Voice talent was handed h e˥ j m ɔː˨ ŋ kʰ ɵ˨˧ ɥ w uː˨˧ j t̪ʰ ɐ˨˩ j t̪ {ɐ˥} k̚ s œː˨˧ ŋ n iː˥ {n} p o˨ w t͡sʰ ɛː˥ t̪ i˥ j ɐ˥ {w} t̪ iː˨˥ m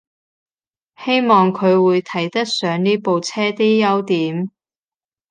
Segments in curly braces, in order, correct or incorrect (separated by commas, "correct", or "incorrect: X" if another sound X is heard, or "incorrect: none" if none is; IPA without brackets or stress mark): correct, incorrect: none, correct